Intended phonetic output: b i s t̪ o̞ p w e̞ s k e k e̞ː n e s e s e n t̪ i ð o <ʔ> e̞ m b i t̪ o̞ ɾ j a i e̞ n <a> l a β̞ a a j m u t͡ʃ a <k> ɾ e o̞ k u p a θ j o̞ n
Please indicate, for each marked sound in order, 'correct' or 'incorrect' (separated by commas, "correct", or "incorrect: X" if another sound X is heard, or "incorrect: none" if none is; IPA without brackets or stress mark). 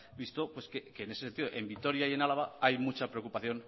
correct, correct, incorrect: p